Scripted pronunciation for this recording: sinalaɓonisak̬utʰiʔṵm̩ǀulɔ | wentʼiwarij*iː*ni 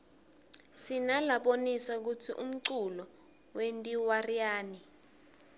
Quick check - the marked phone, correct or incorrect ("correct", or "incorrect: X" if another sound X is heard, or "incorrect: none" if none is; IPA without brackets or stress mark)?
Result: incorrect: aː